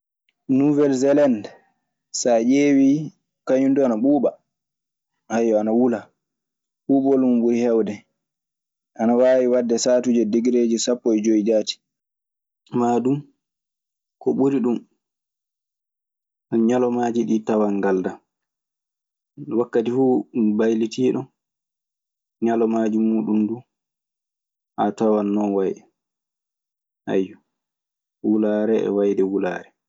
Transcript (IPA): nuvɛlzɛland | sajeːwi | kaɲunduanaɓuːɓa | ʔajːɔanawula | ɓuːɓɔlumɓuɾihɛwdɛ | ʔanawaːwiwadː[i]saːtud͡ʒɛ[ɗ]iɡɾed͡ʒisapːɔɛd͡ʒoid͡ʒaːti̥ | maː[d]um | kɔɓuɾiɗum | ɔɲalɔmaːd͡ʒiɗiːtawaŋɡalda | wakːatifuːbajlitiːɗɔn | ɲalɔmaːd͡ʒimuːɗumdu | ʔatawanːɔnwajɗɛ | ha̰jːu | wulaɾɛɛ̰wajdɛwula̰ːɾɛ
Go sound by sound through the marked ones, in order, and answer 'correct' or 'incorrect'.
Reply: incorrect, incorrect, correct

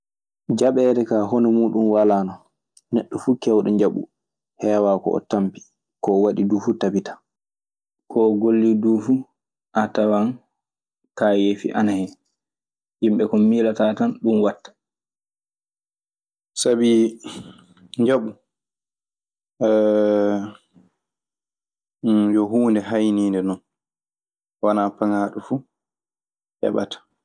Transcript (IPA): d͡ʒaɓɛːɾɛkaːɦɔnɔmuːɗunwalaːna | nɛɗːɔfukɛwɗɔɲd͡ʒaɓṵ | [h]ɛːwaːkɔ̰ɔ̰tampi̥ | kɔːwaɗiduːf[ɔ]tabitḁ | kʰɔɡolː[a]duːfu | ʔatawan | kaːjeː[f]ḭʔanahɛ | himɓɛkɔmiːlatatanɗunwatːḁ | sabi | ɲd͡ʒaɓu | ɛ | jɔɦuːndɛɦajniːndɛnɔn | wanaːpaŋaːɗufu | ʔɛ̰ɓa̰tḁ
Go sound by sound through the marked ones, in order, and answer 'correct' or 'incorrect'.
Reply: correct, incorrect, incorrect, correct

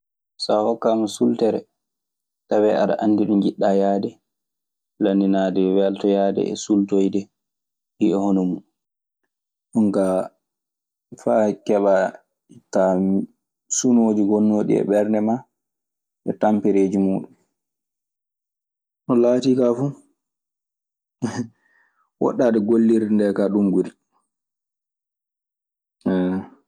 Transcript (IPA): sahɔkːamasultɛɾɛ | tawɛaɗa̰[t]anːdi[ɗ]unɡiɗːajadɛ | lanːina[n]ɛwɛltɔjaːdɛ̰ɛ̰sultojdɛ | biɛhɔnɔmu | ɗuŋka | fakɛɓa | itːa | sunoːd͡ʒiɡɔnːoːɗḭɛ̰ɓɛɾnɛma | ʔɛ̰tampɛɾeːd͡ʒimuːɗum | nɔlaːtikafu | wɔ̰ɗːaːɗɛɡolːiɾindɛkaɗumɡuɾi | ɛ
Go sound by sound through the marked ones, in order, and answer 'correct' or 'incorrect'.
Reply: incorrect, correct, incorrect

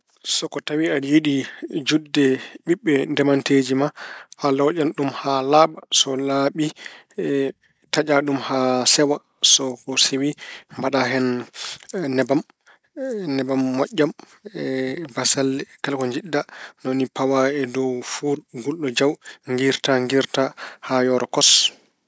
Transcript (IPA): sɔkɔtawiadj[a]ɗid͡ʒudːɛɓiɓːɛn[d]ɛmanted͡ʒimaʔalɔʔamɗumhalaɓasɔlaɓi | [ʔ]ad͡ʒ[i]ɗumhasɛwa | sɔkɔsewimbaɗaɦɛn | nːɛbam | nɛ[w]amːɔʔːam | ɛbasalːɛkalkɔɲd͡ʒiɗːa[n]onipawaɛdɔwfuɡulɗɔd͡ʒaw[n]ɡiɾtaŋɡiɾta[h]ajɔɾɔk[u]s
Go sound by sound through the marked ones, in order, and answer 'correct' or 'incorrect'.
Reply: incorrect, correct, incorrect, incorrect, incorrect, correct, incorrect, correct, incorrect

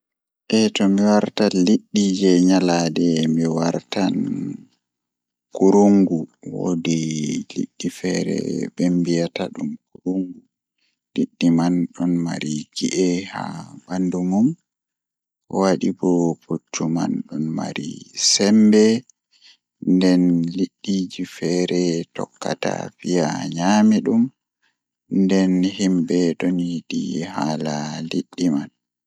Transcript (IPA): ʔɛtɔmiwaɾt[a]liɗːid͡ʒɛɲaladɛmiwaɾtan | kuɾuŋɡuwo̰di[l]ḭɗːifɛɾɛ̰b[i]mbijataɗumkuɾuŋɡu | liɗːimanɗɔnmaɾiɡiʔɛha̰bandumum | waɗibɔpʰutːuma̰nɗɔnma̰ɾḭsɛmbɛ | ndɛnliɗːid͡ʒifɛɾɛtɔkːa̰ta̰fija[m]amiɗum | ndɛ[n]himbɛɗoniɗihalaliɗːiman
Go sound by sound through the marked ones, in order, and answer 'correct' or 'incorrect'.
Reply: correct, correct, incorrect, incorrect, correct

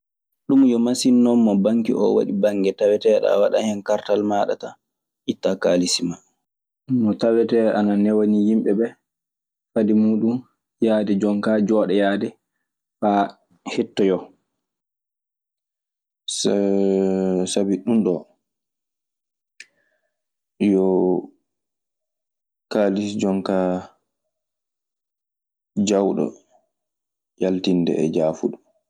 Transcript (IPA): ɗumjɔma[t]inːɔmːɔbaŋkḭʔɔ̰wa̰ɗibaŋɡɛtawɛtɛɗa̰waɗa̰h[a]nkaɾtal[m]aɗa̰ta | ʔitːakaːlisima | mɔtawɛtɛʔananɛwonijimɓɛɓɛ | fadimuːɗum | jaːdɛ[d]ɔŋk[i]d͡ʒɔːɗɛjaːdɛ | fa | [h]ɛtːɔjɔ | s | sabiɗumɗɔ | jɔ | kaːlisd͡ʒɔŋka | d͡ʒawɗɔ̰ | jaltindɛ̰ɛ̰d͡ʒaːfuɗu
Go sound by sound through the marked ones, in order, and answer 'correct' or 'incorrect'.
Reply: incorrect, incorrect, correct, incorrect, incorrect, correct

